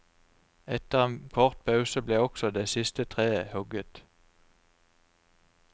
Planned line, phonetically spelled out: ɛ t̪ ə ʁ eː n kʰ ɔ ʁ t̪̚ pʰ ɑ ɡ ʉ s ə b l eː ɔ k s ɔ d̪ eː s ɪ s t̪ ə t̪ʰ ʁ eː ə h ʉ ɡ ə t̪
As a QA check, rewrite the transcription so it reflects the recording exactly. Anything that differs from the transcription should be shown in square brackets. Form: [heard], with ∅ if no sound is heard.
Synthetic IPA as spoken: ɛ t̪ ə ʁ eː n kʰ ɔ ʁ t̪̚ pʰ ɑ [∅] ʉ s ə b l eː ɔ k s ɔ d̪ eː s ɪ s t̪ ə t̪ʰ ʁ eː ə h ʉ ɡ ə t̪